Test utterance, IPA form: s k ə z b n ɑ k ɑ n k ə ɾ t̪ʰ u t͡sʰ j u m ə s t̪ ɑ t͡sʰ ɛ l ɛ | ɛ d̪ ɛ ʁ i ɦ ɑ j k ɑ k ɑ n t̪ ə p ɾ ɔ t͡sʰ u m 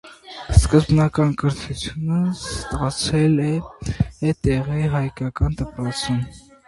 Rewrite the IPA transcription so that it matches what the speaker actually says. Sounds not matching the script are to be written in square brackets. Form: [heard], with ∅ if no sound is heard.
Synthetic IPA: s k ə z b n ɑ k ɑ n k ə ɾ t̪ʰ u t͡sʰ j u [n] ə s t̪ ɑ t͡sʰ ɛ l ɛ | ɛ [t̪] ɛ ʁ i ɦ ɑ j k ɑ k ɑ n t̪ ə p ɾ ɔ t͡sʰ u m